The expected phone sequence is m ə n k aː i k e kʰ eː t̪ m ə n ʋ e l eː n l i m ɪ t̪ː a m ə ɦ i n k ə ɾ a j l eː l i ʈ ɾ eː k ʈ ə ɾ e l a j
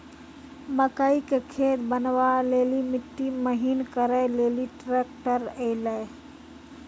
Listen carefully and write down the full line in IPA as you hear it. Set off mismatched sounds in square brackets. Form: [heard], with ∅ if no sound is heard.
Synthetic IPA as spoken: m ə [∅] k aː i k e kʰ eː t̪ [b] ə n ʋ [a] l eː [∅] l i m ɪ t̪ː [i] m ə ɦ i n k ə ɾ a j l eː l i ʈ ɾ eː k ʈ ə ɾ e l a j